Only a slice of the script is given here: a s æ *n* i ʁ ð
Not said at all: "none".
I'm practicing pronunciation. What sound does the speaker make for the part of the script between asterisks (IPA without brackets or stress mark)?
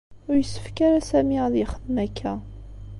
m